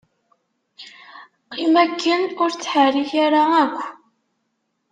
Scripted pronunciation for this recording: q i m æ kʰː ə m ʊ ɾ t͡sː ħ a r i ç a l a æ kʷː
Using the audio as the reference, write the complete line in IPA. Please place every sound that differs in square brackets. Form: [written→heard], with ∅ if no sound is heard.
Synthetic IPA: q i m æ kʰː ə [m→n] ʊ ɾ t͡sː ħ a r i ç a [l→ɾ] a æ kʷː